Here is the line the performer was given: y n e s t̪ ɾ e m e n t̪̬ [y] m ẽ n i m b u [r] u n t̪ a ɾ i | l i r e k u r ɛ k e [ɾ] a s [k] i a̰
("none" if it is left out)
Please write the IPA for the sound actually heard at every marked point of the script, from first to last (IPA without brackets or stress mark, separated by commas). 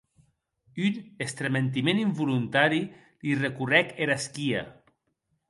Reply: i, l, ɾ, k